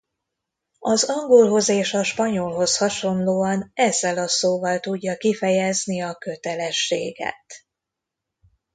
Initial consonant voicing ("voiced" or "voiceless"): voiced